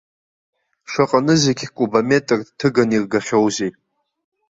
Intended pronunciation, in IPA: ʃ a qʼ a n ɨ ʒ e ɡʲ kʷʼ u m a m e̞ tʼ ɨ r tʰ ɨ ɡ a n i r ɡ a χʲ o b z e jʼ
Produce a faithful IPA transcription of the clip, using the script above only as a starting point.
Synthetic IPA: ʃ a qʼ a n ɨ z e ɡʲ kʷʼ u b a m e̞ tʼ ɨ r tʰ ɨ ɡ a n i r ɡ a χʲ o w z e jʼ